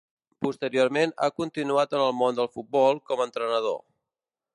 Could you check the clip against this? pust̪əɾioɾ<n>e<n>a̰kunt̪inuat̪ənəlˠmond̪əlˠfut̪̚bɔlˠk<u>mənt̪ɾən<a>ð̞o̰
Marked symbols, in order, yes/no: no, yes, no, no

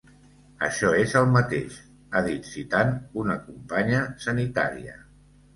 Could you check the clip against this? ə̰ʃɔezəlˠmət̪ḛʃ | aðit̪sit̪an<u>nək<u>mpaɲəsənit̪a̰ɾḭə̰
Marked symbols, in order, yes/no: yes, yes

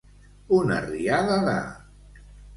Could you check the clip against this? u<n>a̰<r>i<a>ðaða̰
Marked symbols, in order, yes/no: yes, yes, yes

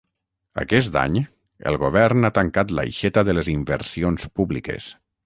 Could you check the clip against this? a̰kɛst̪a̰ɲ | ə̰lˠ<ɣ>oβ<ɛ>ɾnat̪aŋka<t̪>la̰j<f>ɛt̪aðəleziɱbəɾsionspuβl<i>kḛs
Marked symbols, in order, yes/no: yes, yes, yes, no, yes

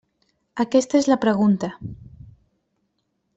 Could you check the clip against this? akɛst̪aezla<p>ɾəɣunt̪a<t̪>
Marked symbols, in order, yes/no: yes, no

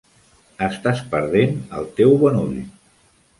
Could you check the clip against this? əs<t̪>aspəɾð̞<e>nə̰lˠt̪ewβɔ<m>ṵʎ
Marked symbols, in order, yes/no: yes, yes, no

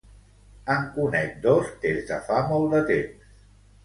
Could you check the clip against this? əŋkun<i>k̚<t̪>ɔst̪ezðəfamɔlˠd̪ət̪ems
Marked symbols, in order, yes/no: no, no

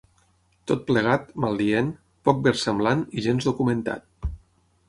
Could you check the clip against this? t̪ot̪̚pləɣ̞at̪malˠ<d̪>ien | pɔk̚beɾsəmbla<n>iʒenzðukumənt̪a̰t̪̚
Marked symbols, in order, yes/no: yes, yes

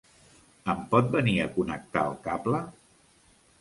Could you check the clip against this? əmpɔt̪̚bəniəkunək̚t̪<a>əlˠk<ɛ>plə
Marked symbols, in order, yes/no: yes, no

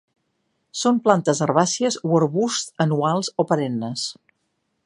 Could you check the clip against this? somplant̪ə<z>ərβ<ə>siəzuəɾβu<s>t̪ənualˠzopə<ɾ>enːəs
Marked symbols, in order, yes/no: yes, no, yes, yes

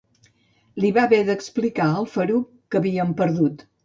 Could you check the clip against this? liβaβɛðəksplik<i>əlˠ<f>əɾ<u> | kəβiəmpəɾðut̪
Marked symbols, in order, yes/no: no, yes, yes

